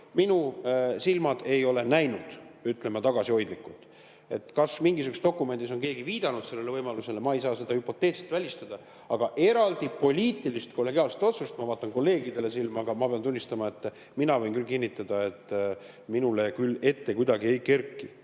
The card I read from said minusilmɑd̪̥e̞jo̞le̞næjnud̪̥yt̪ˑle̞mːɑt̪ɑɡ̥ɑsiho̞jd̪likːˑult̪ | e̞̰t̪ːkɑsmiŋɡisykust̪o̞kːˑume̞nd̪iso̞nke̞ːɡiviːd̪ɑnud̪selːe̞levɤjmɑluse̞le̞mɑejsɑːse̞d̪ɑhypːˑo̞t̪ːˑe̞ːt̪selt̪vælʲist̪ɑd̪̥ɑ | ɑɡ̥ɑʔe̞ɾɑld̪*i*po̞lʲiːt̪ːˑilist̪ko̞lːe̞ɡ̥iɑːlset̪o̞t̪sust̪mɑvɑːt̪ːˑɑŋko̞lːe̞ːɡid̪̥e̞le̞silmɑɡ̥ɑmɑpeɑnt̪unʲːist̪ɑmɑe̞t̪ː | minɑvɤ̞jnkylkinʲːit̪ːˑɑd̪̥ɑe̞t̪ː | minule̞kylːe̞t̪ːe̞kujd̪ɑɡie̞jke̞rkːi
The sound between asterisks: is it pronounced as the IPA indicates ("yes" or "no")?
yes